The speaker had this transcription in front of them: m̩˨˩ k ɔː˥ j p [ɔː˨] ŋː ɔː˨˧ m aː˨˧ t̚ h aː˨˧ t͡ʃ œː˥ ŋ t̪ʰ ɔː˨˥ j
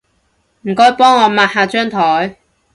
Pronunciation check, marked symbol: incorrect: ɔː˥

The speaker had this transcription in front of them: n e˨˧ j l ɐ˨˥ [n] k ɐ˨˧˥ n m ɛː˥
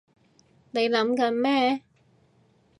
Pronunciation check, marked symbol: incorrect: m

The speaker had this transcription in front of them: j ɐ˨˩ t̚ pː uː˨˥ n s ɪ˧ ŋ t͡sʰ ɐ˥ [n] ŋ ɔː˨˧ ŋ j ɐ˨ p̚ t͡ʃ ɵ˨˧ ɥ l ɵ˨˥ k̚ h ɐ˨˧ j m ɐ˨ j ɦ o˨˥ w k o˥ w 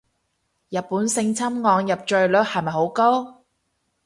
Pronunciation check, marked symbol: incorrect: m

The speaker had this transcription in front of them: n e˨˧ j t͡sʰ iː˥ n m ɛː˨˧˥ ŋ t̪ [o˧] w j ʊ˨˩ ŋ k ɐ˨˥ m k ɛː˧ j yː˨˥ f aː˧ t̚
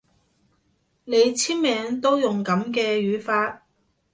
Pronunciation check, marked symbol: incorrect: o˥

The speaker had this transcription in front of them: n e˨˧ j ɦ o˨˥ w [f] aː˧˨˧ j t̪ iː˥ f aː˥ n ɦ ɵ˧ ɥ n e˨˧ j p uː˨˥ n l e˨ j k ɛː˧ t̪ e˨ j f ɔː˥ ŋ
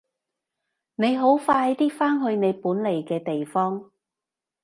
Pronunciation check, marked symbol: correct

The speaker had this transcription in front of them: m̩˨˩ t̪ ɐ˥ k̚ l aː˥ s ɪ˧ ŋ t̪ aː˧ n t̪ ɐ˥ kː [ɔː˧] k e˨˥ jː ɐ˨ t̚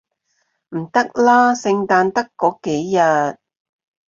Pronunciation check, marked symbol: incorrect: ɔː˨˥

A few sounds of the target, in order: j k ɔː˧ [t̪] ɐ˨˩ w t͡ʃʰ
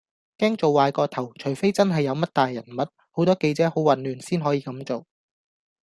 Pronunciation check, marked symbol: incorrect: t̪ʰ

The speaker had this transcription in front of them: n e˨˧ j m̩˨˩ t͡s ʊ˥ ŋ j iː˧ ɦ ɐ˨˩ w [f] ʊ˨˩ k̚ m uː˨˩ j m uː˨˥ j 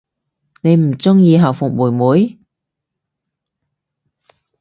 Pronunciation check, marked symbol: correct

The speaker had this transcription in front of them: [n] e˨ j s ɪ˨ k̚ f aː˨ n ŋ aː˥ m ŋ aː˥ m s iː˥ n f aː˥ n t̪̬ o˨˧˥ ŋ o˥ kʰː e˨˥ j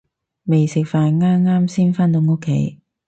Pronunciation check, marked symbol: incorrect: m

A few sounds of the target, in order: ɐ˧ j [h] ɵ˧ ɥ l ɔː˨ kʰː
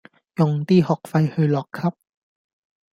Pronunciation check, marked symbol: correct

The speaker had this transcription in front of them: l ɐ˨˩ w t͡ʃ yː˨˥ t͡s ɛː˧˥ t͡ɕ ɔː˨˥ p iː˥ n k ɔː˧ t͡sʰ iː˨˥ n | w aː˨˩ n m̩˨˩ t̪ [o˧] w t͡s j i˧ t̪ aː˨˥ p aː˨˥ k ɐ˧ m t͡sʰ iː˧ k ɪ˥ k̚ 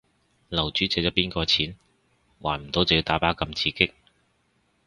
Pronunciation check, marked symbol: incorrect: o˨˥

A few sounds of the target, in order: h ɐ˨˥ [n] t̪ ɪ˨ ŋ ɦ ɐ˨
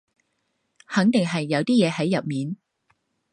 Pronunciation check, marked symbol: incorrect: ŋ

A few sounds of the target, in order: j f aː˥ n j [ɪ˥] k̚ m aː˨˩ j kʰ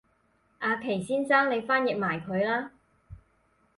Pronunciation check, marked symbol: incorrect: ɪ˨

